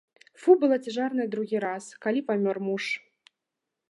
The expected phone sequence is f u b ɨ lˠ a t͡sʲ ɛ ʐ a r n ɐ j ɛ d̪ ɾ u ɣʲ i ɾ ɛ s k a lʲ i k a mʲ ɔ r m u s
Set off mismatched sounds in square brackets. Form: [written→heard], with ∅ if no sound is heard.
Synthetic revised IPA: f u b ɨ lˠ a t͡sʲ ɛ ʐ a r n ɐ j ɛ d̪ ɾ u ɣʲ i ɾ [ɛ→a] s k a lʲ i [k→p] a mʲ ɔ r m u [s→ʂ]